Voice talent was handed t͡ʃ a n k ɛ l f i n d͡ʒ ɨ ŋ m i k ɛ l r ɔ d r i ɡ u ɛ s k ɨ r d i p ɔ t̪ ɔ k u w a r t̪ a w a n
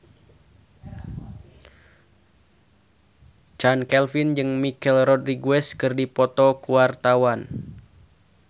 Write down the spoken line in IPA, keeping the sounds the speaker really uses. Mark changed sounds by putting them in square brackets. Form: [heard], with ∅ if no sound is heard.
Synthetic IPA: t͡ʃ a n k ɛ l f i n d͡ʒ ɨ ŋ m i k ɛ l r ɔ d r i ɡ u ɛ s k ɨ r d i p ɔ t̪ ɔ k u w a r t̪ a w a n